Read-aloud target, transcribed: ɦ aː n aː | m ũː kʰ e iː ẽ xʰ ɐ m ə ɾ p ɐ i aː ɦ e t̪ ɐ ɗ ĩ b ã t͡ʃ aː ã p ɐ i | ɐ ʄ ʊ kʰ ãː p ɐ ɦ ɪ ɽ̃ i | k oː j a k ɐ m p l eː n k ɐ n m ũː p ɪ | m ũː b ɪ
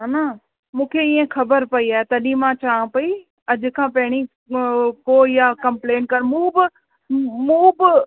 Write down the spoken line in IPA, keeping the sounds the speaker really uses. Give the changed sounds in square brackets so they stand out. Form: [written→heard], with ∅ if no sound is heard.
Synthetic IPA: ɦ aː n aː | m ũː kʰ e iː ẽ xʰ ɐ [m→b] ə ɾ p ɐ i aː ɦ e t̪ ɐ ɗ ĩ [b→m] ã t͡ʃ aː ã p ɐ i | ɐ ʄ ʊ kʰ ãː p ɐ ɦ ɪ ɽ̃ i | k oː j a k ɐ m p l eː n k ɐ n m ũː [p→b] ɪ | m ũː b ɪ